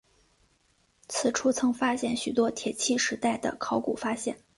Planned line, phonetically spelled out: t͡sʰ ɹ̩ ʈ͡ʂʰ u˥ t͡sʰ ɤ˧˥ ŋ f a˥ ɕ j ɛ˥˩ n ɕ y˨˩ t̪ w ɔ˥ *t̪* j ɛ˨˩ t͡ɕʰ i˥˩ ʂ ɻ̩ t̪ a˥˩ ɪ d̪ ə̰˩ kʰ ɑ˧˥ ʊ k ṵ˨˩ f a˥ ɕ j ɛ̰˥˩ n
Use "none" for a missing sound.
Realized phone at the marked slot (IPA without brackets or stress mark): t̪ʰ